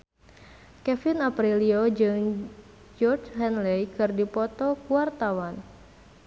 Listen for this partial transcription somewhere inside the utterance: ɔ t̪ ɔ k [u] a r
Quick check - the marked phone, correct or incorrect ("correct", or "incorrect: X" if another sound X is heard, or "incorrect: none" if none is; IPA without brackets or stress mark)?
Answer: correct